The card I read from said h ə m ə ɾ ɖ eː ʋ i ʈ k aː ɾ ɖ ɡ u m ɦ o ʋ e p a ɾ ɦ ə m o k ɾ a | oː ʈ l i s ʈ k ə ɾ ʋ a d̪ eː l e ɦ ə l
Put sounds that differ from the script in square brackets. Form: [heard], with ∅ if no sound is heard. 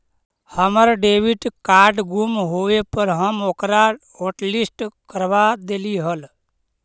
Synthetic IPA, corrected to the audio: h ə m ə ɾ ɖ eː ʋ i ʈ k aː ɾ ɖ ɡ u m ɦ o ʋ e p [ə] ɾ ɦ ə m o k ɾ a | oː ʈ l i s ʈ k ə ɾ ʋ a d̪ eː l [i] ɦ ə l